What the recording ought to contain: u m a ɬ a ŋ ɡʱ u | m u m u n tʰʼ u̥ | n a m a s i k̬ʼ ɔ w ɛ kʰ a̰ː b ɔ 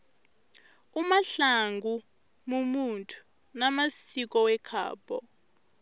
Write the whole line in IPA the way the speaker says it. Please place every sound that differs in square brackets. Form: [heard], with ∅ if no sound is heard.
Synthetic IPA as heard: u m a ɬ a ŋ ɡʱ u | m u m u n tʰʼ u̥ | n a m a s i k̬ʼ ɔ w ɛ kʰ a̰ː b ɔ